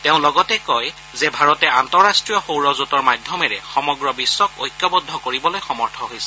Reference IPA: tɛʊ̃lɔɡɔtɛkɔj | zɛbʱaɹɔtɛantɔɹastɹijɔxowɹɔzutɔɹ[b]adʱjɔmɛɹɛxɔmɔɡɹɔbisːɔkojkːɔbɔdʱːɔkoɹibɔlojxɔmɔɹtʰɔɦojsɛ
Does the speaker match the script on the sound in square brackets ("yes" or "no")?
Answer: no